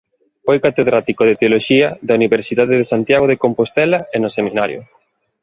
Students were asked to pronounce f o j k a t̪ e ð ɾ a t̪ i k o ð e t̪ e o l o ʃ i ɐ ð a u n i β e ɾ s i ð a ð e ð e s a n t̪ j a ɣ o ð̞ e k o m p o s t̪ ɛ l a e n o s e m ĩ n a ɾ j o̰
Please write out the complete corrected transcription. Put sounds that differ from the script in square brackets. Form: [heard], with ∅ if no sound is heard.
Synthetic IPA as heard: f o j k a t̪ e ð ɾ a t̪ i k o ð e t̪ e o l o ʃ i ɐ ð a u n i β e ɾ s i ð a ð e ð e s a n t̪ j a ɣ o ð̞ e k o m p o s t̪ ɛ l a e n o s e m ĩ n a ɾ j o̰